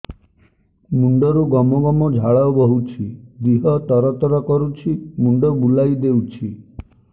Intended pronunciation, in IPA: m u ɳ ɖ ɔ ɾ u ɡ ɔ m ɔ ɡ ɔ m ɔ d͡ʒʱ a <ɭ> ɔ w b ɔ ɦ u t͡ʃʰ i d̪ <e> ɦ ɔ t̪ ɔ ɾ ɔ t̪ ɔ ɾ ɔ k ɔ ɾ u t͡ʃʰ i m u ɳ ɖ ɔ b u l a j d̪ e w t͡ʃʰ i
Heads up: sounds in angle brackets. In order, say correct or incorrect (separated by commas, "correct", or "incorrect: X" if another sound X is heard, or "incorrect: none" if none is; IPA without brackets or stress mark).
correct, incorrect: i